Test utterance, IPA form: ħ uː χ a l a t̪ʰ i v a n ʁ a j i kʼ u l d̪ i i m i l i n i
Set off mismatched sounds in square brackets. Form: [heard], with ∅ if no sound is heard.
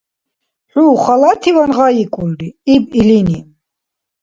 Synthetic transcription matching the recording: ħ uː χ a l a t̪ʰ i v a n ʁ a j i kʼ u l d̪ i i [b] i l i n i